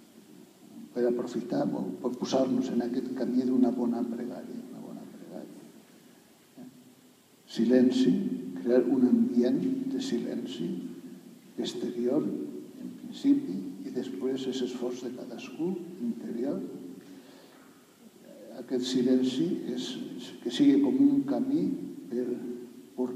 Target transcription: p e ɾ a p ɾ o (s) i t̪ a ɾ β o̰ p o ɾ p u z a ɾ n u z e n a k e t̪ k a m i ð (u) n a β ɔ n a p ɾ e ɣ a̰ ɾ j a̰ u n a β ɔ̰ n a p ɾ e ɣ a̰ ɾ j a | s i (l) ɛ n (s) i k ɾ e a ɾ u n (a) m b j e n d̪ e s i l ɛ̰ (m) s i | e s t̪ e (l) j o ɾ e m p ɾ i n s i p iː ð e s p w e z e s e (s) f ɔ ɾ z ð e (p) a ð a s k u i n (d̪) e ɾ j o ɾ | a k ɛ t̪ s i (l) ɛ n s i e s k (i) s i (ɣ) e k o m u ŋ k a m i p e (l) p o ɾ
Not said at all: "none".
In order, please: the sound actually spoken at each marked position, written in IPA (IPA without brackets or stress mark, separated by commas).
f, u, l, s, a, n, ɾ, s, k, t̪, l, e, ɣ, ɾ